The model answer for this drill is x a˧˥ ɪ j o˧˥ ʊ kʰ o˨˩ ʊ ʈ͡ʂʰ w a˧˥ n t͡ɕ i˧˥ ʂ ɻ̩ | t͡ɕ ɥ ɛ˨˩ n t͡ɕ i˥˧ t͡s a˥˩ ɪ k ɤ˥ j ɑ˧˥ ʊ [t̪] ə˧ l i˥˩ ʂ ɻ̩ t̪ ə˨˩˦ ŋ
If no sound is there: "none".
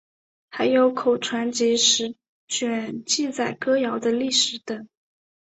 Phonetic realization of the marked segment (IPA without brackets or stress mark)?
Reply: d̪